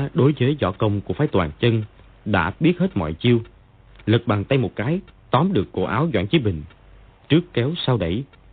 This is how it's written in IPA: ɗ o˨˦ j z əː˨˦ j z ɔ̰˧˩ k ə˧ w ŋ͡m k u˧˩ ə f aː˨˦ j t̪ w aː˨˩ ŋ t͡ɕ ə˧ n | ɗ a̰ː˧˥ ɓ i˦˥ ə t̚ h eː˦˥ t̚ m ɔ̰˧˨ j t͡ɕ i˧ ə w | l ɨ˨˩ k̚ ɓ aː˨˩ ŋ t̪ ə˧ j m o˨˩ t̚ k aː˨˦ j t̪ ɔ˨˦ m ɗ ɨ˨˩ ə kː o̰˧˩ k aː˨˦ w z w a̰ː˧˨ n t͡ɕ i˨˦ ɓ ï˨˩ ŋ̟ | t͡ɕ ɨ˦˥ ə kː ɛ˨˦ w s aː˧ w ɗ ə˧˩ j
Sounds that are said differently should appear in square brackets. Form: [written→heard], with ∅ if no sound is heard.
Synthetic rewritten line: ɗ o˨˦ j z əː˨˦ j z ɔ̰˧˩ k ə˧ w ŋ͡m k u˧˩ ə f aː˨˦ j t̪ w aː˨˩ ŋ t͡ɕ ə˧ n | ɗ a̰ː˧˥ ɓ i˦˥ ə t̚ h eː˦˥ t̚ m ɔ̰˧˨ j t͡ɕ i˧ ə w | l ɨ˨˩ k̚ ɓ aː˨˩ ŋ t̪ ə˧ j m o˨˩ t̚ k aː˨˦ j t̪ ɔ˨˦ m ɗ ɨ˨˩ ə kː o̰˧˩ [k→ʔ] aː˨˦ w z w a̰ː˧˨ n t͡ɕ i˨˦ ɓ ï˨˩ ŋ̟ | t͡ɕ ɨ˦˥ ə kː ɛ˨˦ w s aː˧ w ɗ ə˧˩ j